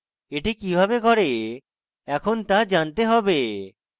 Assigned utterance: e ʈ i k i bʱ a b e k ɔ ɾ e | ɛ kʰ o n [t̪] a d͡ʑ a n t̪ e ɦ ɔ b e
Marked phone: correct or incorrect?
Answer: correct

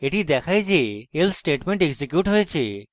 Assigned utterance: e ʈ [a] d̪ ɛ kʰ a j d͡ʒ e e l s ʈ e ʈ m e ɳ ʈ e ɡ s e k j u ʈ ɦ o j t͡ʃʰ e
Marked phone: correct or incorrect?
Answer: incorrect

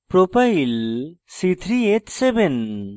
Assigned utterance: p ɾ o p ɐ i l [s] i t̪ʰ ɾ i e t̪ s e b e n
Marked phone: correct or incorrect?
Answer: correct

